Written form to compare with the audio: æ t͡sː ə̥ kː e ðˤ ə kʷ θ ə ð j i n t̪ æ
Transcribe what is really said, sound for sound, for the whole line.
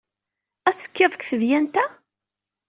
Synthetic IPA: æ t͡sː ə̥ kː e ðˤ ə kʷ θ ə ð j æ n t̪ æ